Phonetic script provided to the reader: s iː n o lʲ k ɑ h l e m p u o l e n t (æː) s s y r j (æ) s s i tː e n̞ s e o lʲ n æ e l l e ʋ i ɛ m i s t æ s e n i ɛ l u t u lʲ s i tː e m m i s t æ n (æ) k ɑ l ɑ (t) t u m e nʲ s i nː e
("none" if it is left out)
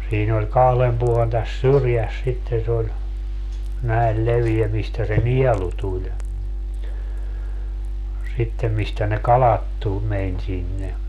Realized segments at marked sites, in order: æ, æ, e, t

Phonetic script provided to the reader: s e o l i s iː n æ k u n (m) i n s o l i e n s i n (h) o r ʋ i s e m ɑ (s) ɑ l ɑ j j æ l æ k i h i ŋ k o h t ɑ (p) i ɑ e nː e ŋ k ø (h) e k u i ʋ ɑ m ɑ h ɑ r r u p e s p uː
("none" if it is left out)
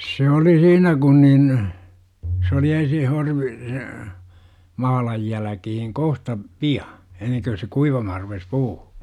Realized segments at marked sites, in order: n, h, h, p, s

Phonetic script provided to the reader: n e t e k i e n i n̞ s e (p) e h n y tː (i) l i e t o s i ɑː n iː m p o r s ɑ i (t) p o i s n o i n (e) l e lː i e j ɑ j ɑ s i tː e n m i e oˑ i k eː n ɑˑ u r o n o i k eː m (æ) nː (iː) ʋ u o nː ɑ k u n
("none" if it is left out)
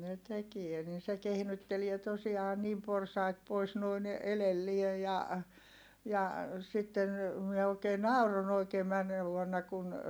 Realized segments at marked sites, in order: k, e, t, e, æ, eː

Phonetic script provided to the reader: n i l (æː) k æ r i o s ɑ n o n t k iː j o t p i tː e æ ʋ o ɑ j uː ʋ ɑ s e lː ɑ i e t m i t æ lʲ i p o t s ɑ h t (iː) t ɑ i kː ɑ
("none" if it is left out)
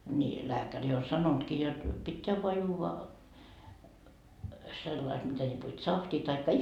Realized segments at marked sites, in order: æː, iː

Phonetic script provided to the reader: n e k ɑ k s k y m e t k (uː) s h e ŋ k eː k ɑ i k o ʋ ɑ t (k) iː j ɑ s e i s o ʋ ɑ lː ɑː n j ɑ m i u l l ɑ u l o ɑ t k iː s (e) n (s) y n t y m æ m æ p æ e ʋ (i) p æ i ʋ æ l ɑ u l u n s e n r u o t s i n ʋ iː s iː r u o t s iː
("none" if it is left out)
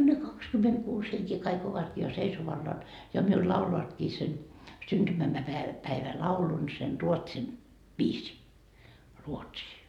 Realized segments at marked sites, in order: uː, k, e, s, æ

